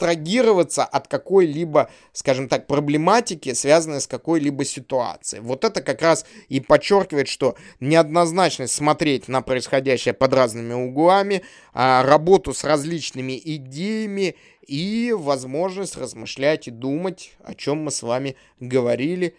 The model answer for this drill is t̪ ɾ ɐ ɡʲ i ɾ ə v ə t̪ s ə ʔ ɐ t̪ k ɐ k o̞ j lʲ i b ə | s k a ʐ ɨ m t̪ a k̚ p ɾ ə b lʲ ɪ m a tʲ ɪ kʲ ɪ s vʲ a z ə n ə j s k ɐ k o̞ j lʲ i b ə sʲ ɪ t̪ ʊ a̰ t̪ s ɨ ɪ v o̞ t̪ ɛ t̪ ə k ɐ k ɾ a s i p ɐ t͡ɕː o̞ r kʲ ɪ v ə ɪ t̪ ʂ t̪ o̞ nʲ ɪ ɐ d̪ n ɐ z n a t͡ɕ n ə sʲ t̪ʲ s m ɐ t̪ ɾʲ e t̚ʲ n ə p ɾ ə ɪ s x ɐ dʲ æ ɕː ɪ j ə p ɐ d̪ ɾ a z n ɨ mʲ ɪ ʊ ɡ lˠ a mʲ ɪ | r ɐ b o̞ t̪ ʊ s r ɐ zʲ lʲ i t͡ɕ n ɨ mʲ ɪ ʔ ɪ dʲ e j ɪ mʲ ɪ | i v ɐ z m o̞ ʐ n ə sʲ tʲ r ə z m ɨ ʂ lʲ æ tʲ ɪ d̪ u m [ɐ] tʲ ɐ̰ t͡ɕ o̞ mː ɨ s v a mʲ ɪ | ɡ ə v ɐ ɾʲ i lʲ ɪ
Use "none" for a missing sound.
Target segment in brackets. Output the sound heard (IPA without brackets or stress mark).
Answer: ə